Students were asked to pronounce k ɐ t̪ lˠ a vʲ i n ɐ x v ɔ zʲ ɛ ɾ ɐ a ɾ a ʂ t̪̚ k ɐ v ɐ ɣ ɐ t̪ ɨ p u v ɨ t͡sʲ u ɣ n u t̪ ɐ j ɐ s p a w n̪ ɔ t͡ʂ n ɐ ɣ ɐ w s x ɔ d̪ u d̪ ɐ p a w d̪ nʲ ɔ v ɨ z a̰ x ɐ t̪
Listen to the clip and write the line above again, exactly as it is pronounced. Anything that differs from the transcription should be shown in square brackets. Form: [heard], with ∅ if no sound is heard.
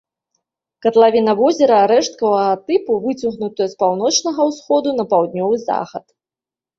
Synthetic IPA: k ɐ t̪ lˠ a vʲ i n ɐ [∅] v ɔ zʲ ɛ ɾ ɐ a ɾ [ɛ] ʂ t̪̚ k ɐ v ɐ ɣ ɐ t̪ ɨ p u v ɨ t͡sʲ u ɣ n u t̪ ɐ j ɐ s p a w n̪ ɔ t͡ʂ n ɐ ɣ ɐ w s x ɔ d̪ u [n̪] ɐ p a w d̪ nʲ ɔ v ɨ z a̰ x ɐ t̪